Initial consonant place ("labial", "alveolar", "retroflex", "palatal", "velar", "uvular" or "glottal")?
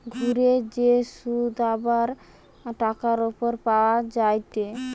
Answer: velar